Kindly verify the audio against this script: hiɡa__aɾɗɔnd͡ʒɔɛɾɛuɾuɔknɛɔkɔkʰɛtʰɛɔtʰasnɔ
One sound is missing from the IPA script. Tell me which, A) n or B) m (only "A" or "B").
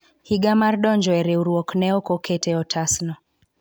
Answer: B